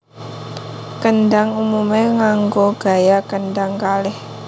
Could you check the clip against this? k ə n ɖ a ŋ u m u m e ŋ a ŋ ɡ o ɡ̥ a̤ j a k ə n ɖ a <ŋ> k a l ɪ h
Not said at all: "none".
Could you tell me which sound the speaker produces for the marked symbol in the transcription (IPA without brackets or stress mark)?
ŋ